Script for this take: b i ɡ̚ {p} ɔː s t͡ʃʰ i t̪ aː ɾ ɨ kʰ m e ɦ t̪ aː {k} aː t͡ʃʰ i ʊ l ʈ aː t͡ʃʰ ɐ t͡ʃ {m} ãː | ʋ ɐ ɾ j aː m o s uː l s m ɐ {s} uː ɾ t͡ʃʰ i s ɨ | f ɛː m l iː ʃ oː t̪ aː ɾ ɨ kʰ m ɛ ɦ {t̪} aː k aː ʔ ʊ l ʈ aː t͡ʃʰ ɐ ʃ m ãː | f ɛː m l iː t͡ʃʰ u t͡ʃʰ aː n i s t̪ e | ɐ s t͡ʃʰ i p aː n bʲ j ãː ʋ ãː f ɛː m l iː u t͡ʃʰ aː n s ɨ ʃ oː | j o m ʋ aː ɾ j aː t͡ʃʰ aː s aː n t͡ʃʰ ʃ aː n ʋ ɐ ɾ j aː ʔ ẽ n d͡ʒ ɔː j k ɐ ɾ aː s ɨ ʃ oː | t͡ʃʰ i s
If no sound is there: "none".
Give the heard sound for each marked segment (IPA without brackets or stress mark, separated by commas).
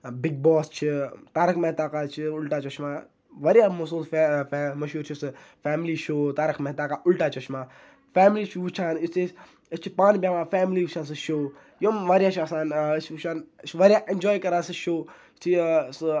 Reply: b, k, m, ʃ, t̪